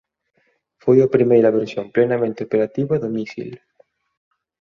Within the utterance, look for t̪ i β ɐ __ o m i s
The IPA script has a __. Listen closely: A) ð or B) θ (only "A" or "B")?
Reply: A